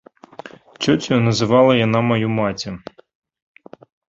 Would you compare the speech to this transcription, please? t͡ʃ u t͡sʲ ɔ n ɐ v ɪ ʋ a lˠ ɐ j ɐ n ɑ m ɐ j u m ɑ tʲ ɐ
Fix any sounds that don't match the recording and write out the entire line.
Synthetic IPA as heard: t͡ʃ ɔ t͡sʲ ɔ n ɐ z ɪ ʋ ɑ lˠ ɐ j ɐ n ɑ m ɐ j u m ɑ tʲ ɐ

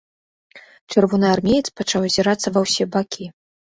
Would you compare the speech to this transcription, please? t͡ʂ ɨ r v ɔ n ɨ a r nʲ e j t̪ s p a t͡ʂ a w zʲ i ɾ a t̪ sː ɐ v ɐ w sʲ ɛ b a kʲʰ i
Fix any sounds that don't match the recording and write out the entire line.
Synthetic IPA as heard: t͡ʂ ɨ r v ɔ n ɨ a r mʲ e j t̪ s p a t͡ʂ a w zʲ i ɾ a t̪ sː ɐ v ɐ w sʲ ɛ b a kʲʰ i

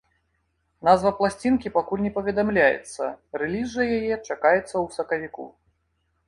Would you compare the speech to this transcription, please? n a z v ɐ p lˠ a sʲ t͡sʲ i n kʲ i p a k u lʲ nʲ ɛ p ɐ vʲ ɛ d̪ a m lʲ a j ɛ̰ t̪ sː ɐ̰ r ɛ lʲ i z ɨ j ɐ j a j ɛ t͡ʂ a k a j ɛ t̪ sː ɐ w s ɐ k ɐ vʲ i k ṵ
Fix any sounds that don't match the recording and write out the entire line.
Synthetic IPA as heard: n a z v ɐ p lˠ a sʲ t͡sʲ i n kʲ i p a k u lʲ nʲ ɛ p ɐ vʲ ɛ d̪ a m lʲ a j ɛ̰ t̪ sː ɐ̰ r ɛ lʲ i z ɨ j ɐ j a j ɛ t͡ʂ a k a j ɛ t̪ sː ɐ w s ɐ k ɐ vʲ i k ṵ

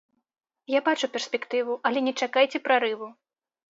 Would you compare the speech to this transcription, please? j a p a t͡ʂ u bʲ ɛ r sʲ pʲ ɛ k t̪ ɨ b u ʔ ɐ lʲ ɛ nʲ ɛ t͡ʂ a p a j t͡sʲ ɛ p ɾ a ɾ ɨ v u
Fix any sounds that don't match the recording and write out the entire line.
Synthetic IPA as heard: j a b a t͡ʂ u pʲ ɛ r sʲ pʲ ɛ k t̪ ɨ v u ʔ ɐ lʲ ɛ nʲ ɛ t͡ʂ a k a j t͡sʲ ɛ p ɾ a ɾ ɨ v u

